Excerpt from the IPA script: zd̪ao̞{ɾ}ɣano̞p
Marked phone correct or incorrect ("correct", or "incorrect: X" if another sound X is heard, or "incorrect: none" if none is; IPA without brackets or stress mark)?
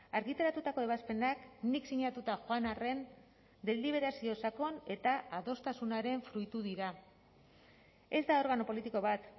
correct